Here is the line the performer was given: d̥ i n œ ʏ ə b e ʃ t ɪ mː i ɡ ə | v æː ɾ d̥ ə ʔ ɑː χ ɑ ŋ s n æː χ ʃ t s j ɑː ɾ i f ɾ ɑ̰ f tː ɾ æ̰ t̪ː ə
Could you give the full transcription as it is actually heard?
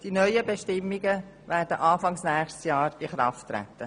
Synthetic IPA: d̥ i n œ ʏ ə b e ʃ t ɪ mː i ɡ ə | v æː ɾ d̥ ə ʔ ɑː f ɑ ŋ s n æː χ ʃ t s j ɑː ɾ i χ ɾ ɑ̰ f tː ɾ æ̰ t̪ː ə